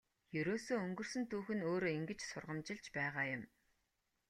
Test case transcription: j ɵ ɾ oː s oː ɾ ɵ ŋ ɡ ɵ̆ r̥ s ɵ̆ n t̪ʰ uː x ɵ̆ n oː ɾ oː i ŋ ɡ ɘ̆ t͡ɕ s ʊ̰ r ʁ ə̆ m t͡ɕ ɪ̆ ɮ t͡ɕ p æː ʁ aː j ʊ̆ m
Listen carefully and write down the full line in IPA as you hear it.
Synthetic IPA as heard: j ɵ ɾ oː s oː ɵ ŋ ɡ ɵ̆ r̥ s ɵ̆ n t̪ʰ uː x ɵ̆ n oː ɾ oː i ŋ ɡ ɘ̆ t͡ɕ s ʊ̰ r ʁ ə̆ m t͡ɕ ɪ̆ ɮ t͡ɕ p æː ʁ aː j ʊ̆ m

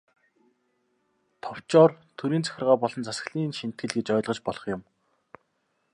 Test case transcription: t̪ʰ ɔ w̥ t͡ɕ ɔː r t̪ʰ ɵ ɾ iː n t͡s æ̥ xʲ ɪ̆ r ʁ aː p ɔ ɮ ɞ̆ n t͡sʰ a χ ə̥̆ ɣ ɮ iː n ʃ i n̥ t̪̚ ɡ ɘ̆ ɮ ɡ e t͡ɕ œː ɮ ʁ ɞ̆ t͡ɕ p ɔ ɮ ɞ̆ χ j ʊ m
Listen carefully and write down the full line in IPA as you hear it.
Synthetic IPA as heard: t̪ʰ ɔ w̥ t͡ɕ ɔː r t̪ʰ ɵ ɾ iː n t͡s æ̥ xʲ ɪ̆ r ʁ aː p ɔ ɮ ɞ̆ n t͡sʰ a s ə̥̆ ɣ ɮ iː n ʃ i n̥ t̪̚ ɡ ɘ̆ ɮ ɡ e t͡ɕ œː ɮ ʁ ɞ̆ t͡ɕ p ɔ ɮ ɞ̆ χ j ʊ m

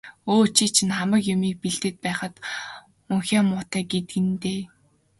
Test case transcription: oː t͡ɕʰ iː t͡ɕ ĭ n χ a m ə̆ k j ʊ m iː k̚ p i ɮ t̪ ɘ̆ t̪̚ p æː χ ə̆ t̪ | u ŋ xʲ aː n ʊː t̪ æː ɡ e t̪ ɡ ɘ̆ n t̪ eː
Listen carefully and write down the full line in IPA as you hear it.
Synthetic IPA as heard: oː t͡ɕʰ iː t͡ɕʰ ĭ n χ a m ə̆ k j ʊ m iː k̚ p i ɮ t̪ ɘ̆ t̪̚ p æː χ ə̆ t̪ | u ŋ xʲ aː m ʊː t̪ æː ɡ e t̪ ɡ ɘ̆ n t̪ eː

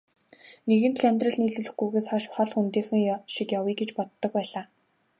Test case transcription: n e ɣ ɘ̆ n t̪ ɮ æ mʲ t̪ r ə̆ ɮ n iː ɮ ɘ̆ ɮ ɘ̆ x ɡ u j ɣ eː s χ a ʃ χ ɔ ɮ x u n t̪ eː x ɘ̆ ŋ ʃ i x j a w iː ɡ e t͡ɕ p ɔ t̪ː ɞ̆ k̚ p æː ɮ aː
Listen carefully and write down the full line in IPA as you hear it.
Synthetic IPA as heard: n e ɣ ɘ̆ n t̪ ɮ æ mʲ t̪ r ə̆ ɮ n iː ɮ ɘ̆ ɮ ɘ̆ x ɡ u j ɣ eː s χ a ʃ χ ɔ ɮ x u n t̪ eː x ɘ̆ ŋ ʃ i k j a w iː ɡ e t͡ɕ p ɔ t̪ː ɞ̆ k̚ p æː ɮ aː

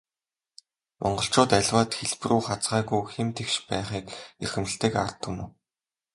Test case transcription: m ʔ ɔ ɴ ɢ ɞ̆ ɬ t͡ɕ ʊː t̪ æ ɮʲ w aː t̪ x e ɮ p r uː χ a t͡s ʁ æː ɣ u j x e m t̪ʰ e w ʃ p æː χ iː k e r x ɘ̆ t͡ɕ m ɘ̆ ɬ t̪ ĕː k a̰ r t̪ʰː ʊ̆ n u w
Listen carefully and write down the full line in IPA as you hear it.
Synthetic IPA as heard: m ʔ ɔ ɴ ɢ ɞ̆ ɬ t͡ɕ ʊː t̪ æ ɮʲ w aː t̪ x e ɮ p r uː χ a t͡s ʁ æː ɣ u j x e m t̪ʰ e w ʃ p æː χ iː k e r x ɘ̆ m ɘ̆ ɬ t̪ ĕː k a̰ r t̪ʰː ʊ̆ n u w

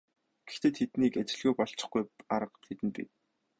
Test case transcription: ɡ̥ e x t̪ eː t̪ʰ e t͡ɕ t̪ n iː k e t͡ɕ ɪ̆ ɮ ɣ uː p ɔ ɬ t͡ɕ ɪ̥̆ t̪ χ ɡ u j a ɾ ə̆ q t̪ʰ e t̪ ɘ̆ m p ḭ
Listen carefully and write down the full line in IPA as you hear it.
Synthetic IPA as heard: ɡ̥ e x t̪ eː t̪ʰ e t̪ n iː k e t͡ɕ ɪ̆ ɮ ɣ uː p ɔ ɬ t͡ɕ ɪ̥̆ χ ɡ u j a ɾ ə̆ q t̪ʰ e t̪ ɘ̆ n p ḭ

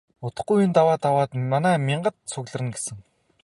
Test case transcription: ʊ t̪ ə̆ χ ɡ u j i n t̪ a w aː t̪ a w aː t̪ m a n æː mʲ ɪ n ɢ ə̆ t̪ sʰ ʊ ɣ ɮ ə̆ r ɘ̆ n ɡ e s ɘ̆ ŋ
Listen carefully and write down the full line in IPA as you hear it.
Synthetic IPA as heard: ʊ t̪ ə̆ χ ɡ u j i n t̪ a w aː t̪ a w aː t̪ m a n æː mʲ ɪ ɴ ɢ ə̆ t̪ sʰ ʊ ɣ ɮ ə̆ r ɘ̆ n ɡ e s ɘ̆ ŋ

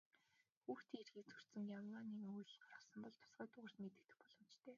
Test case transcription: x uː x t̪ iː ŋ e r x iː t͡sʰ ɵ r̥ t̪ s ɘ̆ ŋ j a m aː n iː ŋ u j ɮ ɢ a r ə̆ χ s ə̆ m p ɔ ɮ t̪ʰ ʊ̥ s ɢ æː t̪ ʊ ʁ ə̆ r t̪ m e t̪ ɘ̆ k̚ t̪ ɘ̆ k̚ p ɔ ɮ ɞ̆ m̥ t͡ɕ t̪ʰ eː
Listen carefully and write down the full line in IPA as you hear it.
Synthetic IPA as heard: x uː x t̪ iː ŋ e r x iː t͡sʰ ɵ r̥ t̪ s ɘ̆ ŋ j a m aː n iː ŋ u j ɮ ɢ a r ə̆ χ s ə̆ m p ɔ ɮ t̪ʰ ʊ̥ s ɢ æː t̪ ʊ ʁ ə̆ r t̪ m e t̪ ɘ̆ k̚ t̪ ɘ̆ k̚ p ɔ ɮ ɞ̆ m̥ t͡ɕ t̪ʰ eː

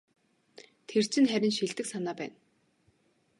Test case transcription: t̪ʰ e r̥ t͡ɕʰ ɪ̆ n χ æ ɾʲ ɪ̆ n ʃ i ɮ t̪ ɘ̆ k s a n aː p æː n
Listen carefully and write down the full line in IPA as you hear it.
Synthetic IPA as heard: t̪ʰ e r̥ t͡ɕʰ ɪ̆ n χ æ ɾʲ ɪ̆ n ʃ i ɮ t̪ ɘ̆ k s a n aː p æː n

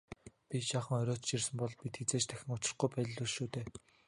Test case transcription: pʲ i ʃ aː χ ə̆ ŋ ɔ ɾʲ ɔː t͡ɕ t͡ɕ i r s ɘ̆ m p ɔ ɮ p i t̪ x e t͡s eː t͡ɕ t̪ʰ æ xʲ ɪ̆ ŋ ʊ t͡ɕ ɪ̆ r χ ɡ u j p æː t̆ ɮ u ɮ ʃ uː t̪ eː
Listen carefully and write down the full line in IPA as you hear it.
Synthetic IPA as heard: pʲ i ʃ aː χ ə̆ ŋ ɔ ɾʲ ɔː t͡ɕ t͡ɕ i r s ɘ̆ m p ɔ ɮ p i t̪ x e t͡s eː t͡ɕ t̪ʰ æ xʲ ɪ̆ ŋ ʊ t͡ɕ ɪ̆ r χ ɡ u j p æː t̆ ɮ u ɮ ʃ uː t̪ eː

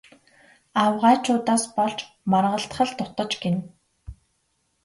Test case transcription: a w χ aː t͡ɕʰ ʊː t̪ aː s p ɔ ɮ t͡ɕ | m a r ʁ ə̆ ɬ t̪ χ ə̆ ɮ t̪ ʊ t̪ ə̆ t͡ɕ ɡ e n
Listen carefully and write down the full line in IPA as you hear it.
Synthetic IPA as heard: a w ʁ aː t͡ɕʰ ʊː t̪ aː s p ɔ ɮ t͡ɕ | m a r ʁ ə̆ ɬ t̪ χ ə̆ ɮ t̪ ʊ t̪ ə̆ t͡ɕ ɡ e n

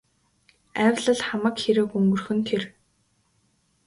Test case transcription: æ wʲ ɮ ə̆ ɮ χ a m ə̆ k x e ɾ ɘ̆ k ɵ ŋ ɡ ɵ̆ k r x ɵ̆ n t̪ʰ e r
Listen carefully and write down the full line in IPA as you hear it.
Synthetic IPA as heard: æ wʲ ɮ ə̆ ɮ χ a m ə̆ k x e ɾ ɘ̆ k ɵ ŋ ɡ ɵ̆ r x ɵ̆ n t̪ʰ e r

